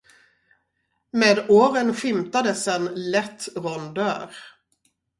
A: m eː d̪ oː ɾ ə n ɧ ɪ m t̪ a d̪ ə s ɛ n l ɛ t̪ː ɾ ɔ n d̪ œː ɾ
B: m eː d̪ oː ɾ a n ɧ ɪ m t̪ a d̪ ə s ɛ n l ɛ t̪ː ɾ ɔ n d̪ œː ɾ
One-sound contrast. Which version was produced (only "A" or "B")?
A